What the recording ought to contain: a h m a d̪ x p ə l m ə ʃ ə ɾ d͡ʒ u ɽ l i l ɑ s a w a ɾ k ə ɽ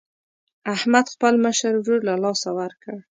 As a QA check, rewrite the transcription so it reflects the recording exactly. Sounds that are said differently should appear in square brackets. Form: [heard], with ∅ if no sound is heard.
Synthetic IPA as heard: a h m a d̪ x p ə l m ə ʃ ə ɾ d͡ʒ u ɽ l [a] l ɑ s a w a ɾ k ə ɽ